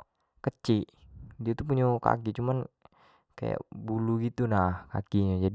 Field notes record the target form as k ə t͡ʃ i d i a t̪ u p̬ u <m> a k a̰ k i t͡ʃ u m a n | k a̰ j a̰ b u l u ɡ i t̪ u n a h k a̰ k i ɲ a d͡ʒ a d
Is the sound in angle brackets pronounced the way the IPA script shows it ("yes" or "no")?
no